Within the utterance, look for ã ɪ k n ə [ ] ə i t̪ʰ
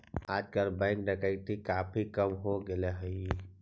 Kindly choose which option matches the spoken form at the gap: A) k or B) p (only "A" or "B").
A